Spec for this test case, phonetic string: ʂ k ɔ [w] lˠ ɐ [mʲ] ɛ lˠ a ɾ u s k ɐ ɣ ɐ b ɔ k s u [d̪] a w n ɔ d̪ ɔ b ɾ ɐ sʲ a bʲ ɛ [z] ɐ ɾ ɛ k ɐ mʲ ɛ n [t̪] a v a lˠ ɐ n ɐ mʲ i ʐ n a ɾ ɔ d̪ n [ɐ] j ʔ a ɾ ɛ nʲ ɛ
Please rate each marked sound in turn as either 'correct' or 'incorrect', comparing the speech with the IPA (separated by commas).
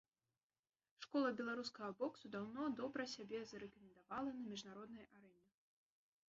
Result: incorrect, incorrect, correct, correct, incorrect, correct